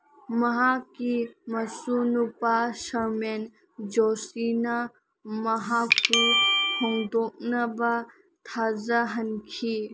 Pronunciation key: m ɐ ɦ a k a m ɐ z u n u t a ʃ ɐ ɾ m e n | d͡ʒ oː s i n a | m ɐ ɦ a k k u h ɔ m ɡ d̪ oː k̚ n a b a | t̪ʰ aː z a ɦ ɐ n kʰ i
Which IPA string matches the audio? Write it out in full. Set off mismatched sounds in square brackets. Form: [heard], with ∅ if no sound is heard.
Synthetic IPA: m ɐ ɦ a k [i] m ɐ [s] u n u [p] a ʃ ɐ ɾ m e n | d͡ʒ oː s i n a | m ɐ ɦ a k k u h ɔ [ŋ] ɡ d̪ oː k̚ n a b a | t̪ʰ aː z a ɦ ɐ n kʰ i